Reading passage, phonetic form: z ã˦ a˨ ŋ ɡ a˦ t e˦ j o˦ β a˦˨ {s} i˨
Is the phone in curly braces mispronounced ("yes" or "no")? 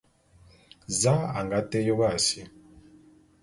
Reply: no